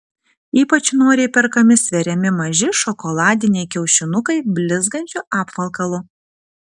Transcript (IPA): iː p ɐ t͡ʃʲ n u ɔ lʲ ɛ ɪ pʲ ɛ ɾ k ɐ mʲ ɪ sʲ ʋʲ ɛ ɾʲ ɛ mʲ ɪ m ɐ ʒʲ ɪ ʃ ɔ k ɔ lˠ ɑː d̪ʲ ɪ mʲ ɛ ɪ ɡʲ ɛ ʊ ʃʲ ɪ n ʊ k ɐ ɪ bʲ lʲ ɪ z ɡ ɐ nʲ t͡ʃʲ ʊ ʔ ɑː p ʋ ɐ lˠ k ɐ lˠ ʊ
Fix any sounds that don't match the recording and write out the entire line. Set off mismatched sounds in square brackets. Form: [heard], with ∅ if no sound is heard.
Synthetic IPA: iː p ɐ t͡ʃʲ n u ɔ [ɾʲ] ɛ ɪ pʲ ɛ ɾ k ɐ mʲ ɪ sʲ ʋʲ ɛ ɾʲ ɛ mʲ ɪ m ɐ ʒʲ ɪ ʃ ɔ k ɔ lˠ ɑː d̪ʲ ɪ [nʲ] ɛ ɪ [kʲ] ɛ ʊ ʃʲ ɪ n ʊ k ɐ ɪ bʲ lʲ ɪ z ɡ ɐ nʲ t͡ʃʲ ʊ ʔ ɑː p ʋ ɐ lˠ k ɐ lˠ ʊ

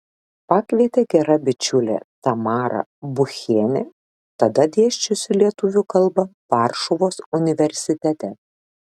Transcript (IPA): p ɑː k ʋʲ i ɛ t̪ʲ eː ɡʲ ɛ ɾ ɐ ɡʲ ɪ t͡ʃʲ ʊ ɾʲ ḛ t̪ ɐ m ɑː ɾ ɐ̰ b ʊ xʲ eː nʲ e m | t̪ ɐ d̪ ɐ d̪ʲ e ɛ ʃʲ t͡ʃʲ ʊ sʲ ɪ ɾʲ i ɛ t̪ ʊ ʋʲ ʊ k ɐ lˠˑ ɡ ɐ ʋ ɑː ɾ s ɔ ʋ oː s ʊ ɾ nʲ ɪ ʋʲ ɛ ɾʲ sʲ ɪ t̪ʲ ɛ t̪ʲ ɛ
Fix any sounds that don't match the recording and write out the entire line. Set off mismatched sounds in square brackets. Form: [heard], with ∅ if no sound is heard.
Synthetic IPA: p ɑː k ʋʲ i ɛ t̪ʲ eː ɡʲ ɛ ɾ ɐ [bʲ] ɪ t͡ʃʲ ʊ [lʲ] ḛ t̪ ɐ m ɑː ɾ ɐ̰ b ʊ xʲ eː nʲ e [∅] | t̪ ɐ d̪ ɐ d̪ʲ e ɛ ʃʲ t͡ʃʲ ʊ sʲ ɪ [lʲ] i ɛ t̪ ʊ ʋʲ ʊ k ɐ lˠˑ [b] ɐ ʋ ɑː ɾ [ʃ] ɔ ʋ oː s ʊ [∅] nʲ ɪ ʋʲ ɛ ɾʲ sʲ ɪ t̪ʲ ɛ t̪ʲ ɛ

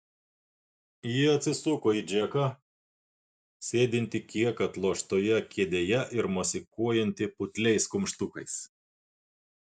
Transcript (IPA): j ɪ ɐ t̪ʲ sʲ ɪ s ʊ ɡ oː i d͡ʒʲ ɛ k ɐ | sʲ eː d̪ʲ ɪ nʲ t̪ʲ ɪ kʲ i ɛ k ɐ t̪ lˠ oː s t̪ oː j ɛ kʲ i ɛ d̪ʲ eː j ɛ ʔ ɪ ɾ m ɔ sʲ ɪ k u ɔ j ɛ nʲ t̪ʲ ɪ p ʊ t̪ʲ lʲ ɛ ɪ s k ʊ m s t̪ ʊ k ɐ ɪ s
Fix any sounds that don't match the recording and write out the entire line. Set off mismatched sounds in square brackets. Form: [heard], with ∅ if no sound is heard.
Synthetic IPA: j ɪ ɐ t̪ʲ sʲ ɪ s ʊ [k] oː i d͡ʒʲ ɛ k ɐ | sʲ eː d̪ʲ ɪ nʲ t̪ʲ ɪ kʲ i ɛ k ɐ t̪ lˠ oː [ʃ] t̪ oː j ɛ kʲ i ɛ d̪ʲ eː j ɛ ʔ ɪ ɾ m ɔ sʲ ɪ k u ɔ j ɛ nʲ t̪ʲ ɪ p ʊ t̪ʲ lʲ ɛ ɪ s k ʊ m [ʃ] t̪ ʊ k ɐ ɪ s

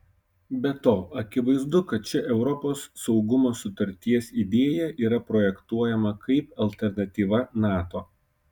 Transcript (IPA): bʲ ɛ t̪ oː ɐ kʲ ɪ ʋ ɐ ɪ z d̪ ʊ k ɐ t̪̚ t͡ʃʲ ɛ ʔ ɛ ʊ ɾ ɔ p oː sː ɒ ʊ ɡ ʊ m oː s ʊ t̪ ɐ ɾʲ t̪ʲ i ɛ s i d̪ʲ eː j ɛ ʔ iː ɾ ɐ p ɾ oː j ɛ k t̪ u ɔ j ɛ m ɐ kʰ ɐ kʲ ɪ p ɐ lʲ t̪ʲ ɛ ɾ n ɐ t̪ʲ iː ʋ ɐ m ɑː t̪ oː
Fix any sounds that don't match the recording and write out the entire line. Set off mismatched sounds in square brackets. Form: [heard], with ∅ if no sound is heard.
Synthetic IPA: bʲ ɛ t̪ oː ɐ kʲ ɪ ʋ ɐ ɪ z d̪ ʊ k ɐ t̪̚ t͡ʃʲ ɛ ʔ ɛ ʊ ɾ ɔ p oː sː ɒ ʊ ɡ ʊ m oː s ʊ t̪ ɐ ɾʲ t̪ʲ i ɛ s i d̪ʲ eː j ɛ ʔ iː ɾ ɐ p ɾ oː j ɛ k t̪ u ɔ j ɛ m ɐ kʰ ɐ [∅] ɪ p ɐ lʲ t̪ʲ ɛ ɾ n ɐ t̪ʲ iː ʋ ɐ [n] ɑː t̪ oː

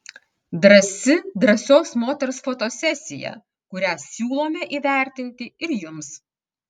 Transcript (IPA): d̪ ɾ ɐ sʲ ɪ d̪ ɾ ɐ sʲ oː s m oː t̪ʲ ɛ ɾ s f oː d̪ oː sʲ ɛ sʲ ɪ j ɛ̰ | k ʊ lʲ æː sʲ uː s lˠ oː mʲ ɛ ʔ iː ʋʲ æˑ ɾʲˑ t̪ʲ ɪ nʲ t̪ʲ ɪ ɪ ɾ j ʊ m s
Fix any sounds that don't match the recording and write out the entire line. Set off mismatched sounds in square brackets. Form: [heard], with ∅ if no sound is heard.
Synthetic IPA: d̪ ɾ ɐ sʲ ɪ d̪ ɾ ɐ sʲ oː s m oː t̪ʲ ɛ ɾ s f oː [t̪] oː sʲ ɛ sʲ ɪ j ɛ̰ | k ʊ [ɾʲ] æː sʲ uː [∅] lˠ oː mʲ ɛ ʔ iː ʋʲ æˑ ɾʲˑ t̪ʲ ɪ nʲ t̪ʲ ɪ ɪ ɾ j ʊ m s

